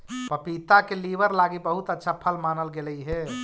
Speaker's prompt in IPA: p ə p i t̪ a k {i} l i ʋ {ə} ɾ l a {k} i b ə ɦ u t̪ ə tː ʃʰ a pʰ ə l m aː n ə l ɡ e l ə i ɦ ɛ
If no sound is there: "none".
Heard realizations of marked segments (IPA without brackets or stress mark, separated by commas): e, ə, ɡ